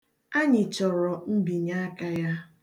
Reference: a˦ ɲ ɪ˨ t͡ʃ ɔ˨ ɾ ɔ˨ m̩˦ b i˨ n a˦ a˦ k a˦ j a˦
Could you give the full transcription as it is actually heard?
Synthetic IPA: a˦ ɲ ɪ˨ t͡ʃ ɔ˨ ɾ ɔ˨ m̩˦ b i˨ ɲ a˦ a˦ k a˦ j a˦